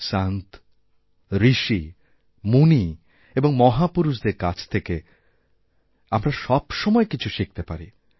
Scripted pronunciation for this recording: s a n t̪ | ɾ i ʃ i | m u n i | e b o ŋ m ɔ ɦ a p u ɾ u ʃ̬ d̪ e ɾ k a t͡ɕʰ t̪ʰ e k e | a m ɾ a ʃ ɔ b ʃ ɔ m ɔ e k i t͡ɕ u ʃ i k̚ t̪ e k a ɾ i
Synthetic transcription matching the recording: s a n t̪ | ɾ i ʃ i | m u n i | e b o ŋ m ɔ ɦ a p u ɾ u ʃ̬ d̪ e ɾ k a t͡ɕʰ t̪ʰ e k e | a m ɾ a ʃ ɔ b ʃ ɔ m ɔ e k i t͡ɕʰ u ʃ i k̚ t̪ e p a ɾ i